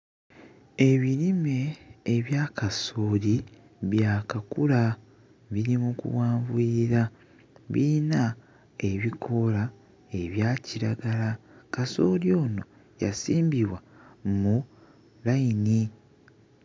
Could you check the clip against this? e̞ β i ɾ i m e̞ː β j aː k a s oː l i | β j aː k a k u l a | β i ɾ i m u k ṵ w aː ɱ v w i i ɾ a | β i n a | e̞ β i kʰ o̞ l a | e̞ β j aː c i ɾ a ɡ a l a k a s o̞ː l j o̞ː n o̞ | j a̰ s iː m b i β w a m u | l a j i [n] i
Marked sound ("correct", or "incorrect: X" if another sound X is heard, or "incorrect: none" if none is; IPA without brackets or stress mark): correct